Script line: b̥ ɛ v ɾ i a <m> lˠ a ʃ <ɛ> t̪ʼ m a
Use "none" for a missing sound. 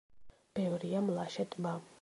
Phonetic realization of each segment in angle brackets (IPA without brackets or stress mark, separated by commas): m, ɛ